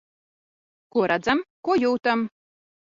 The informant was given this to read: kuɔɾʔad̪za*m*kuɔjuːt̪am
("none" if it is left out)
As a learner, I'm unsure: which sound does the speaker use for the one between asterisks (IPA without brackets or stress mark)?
m